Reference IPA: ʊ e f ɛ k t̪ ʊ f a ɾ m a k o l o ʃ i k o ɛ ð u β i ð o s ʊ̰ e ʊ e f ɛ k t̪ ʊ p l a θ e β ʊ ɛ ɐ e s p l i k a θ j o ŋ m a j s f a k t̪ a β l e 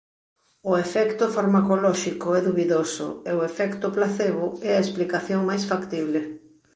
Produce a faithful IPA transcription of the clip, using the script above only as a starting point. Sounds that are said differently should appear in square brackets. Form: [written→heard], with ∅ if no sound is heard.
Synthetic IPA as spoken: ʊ e f ɛ k t̪ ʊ f a ɾ m a k o l [o→ɔ] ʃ i k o ɛ ð u β i ð o s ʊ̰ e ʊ e f ɛ k t̪ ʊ p l a θ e β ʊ ɛ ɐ e s p l i k a θ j o ŋ m a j s f a k t̪ [a→i] β l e